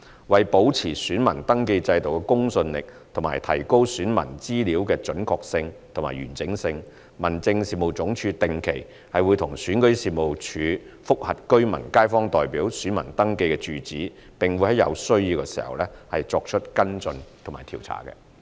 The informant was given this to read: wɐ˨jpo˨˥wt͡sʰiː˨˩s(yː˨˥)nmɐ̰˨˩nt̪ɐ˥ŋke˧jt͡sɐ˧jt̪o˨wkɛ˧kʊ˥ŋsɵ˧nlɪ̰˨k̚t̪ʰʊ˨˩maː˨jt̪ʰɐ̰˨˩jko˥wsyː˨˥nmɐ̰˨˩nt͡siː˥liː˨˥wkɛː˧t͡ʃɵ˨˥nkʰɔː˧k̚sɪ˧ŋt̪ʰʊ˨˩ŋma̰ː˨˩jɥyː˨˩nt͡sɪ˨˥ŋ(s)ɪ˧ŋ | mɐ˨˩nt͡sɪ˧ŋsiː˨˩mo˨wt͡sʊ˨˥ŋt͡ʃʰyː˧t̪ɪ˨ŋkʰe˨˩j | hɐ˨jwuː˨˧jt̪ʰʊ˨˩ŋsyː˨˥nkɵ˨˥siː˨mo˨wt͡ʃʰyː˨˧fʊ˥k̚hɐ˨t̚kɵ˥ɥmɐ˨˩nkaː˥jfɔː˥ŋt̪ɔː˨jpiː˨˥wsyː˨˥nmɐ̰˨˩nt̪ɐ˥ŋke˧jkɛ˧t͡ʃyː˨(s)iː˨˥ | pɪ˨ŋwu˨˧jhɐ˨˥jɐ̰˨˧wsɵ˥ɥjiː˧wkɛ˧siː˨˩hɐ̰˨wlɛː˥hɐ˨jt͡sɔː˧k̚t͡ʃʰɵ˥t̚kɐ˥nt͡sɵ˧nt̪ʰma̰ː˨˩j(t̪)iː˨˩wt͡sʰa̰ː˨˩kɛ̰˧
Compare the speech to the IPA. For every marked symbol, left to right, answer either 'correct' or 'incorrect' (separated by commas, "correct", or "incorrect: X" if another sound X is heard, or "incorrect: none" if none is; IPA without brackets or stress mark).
correct, correct, incorrect: t͡s, incorrect: t̪ʰ